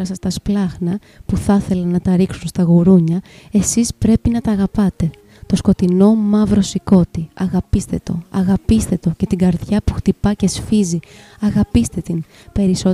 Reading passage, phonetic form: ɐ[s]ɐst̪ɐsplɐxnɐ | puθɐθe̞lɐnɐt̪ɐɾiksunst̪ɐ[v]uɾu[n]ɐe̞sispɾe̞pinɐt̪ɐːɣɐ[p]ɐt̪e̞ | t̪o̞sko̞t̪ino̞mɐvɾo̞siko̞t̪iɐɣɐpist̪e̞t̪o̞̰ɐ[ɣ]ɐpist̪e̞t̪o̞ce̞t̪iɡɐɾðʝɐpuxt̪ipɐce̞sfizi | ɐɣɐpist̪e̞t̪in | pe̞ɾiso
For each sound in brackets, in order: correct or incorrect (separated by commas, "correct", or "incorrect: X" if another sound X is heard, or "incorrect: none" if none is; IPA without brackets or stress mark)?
correct, incorrect: ɣ, incorrect: ɲ, correct, correct